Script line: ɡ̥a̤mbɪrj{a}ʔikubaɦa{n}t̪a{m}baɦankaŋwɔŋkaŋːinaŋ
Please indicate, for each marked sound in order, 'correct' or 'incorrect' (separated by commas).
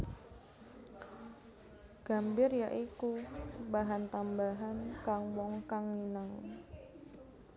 correct, correct, correct